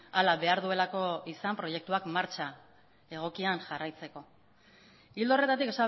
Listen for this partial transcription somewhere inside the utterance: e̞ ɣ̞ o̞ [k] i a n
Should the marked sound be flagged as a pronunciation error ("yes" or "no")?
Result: no